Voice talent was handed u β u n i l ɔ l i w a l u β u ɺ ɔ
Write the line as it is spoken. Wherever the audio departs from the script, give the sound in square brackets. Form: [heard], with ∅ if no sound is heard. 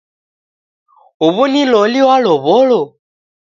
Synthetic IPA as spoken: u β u n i l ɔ l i w a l [ɔ] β [ɔ] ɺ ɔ